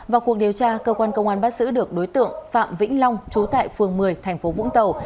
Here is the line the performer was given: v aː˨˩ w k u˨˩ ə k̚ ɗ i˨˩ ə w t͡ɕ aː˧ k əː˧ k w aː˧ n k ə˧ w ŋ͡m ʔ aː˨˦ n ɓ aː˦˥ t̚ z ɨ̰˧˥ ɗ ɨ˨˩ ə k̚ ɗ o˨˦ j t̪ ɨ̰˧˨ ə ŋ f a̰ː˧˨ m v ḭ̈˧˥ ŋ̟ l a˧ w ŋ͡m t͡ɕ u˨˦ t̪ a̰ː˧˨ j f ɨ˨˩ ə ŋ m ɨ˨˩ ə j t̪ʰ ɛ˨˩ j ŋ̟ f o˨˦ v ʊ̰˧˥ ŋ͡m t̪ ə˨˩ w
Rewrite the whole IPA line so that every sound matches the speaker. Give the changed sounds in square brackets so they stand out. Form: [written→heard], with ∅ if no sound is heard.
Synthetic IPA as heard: v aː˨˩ w k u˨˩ ə k̚ ɗ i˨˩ ə w t͡ɕ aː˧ k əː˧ k w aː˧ n k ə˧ w ŋ͡m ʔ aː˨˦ n ɓ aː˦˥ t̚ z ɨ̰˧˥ ɗ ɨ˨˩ ə k̚ ɗ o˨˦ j t̪ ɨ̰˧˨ ə ŋ f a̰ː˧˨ m v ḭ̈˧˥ ŋ̟ l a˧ w ŋ͡m t͡ɕ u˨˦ t̪ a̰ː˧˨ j f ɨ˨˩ ə ŋ m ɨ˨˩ ə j t̪ʰ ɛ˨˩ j ŋ̟ f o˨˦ v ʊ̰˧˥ ŋ͡m t̪ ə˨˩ w

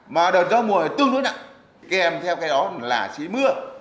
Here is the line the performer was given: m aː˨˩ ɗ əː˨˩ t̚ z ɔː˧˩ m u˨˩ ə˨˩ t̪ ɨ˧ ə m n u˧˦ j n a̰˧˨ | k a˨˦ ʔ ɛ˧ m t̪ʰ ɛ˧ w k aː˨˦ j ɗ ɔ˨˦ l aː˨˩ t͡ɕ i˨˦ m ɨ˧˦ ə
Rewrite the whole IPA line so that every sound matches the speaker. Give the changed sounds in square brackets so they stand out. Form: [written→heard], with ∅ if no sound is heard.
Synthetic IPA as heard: m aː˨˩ ɗ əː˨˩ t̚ z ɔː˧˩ m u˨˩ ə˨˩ t̪ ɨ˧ ə [m→ŋ] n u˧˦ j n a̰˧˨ | k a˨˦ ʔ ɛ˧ m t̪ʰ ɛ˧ w k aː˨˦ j ɗ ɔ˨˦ l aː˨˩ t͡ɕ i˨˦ m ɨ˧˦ ə

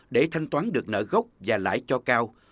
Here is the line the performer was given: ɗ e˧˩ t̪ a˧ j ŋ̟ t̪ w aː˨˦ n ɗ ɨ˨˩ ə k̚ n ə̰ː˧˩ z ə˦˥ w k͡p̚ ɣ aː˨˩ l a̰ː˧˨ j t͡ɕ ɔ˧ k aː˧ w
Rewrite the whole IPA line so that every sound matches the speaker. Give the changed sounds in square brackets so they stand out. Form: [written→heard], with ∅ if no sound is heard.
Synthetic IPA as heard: ɗ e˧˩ [t̪→t̪ʰ] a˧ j ŋ̟ t̪ w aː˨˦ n ɗ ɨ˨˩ ə k̚ n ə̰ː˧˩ [z→ɣ] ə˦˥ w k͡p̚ [ɣ→v] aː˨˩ l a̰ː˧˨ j t͡ɕ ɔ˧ k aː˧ w

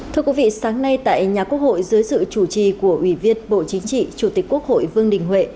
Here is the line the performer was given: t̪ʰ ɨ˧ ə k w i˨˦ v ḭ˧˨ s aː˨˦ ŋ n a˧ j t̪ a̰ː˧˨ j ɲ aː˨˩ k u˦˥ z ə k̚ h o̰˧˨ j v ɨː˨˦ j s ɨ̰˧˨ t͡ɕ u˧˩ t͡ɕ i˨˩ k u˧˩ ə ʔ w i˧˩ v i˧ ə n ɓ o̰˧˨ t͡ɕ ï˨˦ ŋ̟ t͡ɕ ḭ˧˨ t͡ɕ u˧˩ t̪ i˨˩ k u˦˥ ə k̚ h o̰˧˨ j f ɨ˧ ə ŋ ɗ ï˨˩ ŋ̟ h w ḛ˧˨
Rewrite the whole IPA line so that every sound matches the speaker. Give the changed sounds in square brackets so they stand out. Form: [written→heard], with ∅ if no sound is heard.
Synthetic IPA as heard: t̪ʰ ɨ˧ ə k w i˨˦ v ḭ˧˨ s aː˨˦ ŋ n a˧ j t̪ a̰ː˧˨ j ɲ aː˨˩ k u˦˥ [z→∅] ə k̚ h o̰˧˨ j [v→z] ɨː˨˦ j s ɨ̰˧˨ t͡ɕ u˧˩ t͡ɕ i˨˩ k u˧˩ ə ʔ w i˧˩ v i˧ ə n ɓ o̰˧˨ t͡ɕ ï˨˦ ŋ̟ t͡ɕ ḭ˧˨ t͡ɕ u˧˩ t̪ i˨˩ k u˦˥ ə k̚ h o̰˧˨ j [f→v] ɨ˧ ə ŋ ɗ ï˨˩ ŋ̟ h w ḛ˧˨

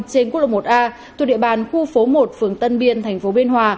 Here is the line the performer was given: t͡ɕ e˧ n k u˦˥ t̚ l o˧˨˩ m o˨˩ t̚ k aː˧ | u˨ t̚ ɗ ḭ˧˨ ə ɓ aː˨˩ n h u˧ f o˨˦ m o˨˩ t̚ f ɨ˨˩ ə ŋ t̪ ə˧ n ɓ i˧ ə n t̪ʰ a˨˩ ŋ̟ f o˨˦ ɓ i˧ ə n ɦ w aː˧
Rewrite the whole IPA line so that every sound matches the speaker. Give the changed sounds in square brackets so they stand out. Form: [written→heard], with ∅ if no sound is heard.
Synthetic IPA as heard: t͡ɕ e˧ n k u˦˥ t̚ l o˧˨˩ m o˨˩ t̚ [k→ʔ] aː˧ | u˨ [t̚→∅] ɗ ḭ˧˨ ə ɓ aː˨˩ n [h→x] u˧ f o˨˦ m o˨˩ t̚ f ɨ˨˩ ə ŋ t̪ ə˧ n ɓ i˧ ə n t̪ʰ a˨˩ ŋ̟ f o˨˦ ɓ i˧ ə n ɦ w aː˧

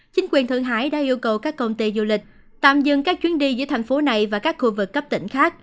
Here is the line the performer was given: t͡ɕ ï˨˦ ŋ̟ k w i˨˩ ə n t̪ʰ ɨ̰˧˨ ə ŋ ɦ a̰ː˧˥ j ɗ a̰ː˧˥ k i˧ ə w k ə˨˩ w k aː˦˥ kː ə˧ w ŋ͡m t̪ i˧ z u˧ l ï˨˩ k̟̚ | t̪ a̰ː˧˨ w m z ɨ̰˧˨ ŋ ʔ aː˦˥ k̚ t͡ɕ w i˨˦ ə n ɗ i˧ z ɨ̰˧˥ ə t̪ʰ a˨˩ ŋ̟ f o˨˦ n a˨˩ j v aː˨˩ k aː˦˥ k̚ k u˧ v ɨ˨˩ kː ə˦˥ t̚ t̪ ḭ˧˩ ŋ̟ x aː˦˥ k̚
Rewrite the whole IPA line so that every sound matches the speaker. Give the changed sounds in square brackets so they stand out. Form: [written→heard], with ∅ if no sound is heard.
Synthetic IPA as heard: t͡ɕ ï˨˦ ŋ̟ k w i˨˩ ə n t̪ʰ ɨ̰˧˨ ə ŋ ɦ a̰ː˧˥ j ɗ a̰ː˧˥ [k→ʔ] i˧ ə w k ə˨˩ w k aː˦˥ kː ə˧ w ŋ͡m t̪ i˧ z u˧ l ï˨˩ k̟̚ | t̪ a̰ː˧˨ [w→∅] m z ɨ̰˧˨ ŋ [ʔ→k] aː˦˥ k̚ t͡ɕ w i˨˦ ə n ɗ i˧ z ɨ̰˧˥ ə t̪ʰ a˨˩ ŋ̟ f o˨˦ n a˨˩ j v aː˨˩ k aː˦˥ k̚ [k→x] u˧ v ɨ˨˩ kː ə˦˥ [t̚→p̚] t̪ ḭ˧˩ ŋ̟ x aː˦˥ k̚

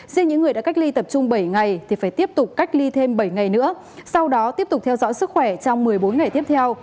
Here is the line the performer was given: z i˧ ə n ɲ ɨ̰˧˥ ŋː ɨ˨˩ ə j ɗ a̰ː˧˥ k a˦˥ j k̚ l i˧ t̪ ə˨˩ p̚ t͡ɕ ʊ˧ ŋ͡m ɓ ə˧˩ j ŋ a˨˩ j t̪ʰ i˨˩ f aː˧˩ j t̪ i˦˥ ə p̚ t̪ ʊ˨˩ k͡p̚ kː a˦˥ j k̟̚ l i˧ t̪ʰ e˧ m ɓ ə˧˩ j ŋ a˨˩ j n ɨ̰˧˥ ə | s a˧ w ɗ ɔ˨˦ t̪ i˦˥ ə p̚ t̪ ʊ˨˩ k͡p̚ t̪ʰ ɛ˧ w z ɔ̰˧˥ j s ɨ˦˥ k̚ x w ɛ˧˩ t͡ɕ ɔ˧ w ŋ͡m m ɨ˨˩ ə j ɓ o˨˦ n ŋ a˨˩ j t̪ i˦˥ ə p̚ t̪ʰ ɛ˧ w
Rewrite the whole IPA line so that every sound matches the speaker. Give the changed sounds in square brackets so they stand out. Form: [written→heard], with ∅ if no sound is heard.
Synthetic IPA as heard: z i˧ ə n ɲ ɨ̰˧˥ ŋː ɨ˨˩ ə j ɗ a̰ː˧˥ k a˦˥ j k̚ l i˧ t̪ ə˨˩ p̚ t͡ɕ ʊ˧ ŋ͡m ɓ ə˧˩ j ŋ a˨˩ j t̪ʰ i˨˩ f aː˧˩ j t̪ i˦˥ ə p̚ t̪ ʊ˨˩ k͡p̚ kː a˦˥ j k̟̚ l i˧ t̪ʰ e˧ m ɓ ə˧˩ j ŋ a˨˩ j n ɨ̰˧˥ ə | s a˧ w ɗ ɔ˨˦ t̪ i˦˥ ə p̚ t̪ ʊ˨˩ k͡p̚ t̪ʰ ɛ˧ w z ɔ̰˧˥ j s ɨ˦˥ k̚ x w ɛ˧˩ t͡ɕ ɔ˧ w ŋ͡m m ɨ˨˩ ə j ɓ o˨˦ n ŋ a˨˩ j t̪ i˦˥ ə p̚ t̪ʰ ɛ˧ w

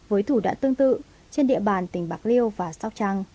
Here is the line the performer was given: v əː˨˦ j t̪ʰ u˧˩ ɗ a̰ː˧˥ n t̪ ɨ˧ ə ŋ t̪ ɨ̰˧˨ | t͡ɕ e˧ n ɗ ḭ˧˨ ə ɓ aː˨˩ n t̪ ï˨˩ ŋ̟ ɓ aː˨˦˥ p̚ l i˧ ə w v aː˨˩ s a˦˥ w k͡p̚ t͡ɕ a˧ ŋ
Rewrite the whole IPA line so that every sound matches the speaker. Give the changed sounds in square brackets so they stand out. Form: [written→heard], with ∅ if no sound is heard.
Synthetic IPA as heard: v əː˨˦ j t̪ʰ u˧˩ ɗ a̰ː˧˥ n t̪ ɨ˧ ə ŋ t̪ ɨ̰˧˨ | t͡ɕ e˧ n ɗ ḭ˧˨ ə ɓ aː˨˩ n t̪ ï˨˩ ŋ̟ ɓ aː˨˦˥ [p̚→k̚] l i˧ ə w v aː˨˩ s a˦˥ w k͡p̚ t͡ɕ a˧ ŋ

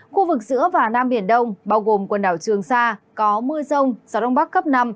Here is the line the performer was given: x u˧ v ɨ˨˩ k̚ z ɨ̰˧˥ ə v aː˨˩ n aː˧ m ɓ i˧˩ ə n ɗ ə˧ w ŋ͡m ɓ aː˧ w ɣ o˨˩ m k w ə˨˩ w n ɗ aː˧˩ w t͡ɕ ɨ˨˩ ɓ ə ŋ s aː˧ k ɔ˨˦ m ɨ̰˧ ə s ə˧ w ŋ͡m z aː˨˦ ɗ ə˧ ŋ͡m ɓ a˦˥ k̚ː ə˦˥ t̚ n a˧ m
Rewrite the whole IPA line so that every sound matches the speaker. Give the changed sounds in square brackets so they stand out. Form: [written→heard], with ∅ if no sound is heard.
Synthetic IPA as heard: x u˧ v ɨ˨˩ k̚ z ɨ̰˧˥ ə v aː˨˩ n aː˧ m ɓ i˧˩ ə n ɗ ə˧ w ŋ͡m ɓ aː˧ w ɣ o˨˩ m k w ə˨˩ [w→∅] n ɗ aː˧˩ w t͡ɕ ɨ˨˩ [ɓ→∅] ə ŋ s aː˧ k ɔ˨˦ m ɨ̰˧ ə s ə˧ w ŋ͡m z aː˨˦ ɗ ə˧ ŋ͡m ɓ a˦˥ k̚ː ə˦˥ [t̚→p̚] n a˧ m

